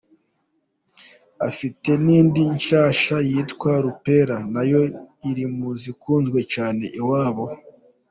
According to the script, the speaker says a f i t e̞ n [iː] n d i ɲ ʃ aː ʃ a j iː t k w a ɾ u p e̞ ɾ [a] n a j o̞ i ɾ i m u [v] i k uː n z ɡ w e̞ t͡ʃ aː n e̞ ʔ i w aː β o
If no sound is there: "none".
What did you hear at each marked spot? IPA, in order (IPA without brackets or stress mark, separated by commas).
iː, a, z